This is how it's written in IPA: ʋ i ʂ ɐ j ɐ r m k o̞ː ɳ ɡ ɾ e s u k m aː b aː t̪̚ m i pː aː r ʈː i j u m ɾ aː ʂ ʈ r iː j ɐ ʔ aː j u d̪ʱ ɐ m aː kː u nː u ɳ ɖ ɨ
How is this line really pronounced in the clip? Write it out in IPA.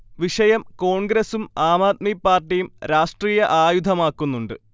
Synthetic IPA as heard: ʋ i ʂ ɐ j ɐ m k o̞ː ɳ ɡ ɾ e s u m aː m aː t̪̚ m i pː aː r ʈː i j u m ɾ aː ʂ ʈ r iː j ɐ ʔ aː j u d̪ʱ ɐ m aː kː u nː u ɳ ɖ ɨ